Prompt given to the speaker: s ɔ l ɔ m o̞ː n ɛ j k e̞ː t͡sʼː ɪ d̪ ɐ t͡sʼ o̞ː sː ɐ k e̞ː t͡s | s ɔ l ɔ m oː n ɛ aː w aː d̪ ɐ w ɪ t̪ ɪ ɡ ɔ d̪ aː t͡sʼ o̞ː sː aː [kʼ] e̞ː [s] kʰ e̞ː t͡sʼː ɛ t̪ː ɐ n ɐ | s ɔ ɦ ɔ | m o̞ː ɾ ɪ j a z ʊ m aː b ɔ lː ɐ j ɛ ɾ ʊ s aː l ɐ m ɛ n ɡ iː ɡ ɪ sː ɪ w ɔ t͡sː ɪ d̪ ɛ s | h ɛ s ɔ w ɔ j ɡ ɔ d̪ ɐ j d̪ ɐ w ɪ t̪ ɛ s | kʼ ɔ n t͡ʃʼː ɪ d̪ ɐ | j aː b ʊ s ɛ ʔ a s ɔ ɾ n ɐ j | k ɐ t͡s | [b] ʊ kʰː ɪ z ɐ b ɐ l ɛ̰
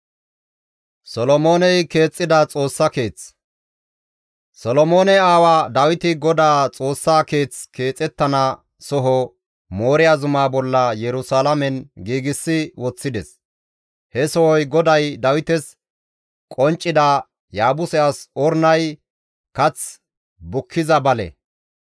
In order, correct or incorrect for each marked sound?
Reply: incorrect, incorrect, correct

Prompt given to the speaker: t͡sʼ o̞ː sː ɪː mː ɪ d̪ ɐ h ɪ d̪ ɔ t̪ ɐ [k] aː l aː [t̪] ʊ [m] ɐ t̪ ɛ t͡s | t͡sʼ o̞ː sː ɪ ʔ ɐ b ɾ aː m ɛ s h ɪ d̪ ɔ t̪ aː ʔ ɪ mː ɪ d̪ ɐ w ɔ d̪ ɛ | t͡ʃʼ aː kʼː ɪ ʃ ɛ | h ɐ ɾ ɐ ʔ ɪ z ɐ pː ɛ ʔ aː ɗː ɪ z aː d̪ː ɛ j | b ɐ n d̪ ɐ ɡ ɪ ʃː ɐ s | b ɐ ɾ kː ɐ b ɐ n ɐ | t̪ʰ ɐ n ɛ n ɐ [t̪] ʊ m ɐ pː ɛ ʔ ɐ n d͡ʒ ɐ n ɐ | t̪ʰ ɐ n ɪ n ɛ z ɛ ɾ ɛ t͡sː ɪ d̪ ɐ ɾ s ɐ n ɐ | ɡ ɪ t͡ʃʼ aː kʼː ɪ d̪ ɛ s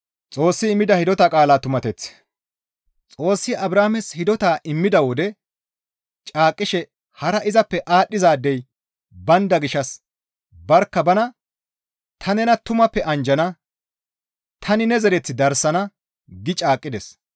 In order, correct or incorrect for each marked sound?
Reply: incorrect, correct, correct, correct

